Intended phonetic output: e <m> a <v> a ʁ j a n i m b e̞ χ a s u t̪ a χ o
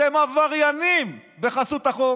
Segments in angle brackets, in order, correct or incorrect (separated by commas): correct, correct